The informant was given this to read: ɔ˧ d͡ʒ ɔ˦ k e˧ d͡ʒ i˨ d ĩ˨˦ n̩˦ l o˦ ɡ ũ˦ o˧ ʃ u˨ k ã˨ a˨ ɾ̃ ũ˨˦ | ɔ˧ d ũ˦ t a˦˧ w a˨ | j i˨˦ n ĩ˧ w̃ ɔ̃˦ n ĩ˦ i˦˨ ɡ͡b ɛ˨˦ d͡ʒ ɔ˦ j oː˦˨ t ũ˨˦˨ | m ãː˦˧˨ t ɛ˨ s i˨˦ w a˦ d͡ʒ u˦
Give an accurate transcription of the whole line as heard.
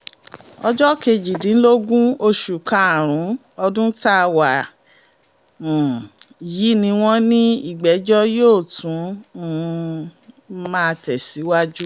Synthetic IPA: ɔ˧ d͡ʒ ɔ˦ k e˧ d͡ʒ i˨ d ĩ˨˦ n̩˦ l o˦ ɡ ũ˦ o˧ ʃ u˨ k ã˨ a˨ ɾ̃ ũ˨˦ | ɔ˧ d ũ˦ t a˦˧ w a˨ | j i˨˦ n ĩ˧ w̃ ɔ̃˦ n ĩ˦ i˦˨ ɡ͡b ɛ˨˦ d͡ʒ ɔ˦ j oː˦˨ t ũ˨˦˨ | m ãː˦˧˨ t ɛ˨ s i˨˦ w a˦ d͡ʒ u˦